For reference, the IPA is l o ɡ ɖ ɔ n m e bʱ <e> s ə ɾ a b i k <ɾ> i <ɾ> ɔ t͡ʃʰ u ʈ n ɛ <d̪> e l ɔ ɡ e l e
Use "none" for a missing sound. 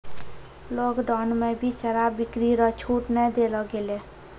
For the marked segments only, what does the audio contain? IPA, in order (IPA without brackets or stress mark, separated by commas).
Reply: i, ɾ, ɾ, d̪